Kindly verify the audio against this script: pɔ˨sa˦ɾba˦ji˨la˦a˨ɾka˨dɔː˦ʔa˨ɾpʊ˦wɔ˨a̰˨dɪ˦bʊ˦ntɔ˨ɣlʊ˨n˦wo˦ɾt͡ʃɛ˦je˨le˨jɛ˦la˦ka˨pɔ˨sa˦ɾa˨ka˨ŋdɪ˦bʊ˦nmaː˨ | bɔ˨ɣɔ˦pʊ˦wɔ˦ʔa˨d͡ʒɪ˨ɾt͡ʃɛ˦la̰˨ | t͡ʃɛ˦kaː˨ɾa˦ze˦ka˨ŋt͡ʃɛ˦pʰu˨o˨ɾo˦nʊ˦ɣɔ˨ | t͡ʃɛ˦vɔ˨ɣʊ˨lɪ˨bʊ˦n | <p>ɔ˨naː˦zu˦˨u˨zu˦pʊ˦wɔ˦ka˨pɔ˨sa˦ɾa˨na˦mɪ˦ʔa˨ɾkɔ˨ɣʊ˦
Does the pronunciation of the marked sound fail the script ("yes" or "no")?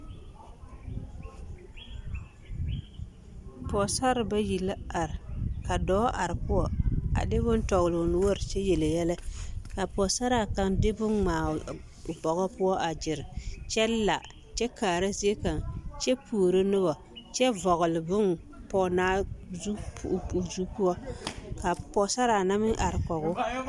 no